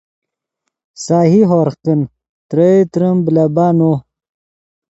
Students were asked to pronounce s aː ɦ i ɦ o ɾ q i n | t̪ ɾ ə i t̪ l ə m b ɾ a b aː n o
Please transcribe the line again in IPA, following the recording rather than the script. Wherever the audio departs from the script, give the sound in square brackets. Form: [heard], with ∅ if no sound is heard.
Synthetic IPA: s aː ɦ i ɦ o ɾ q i n | t̪ ɾ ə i t̪ [ɾ] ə m b [l] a b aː n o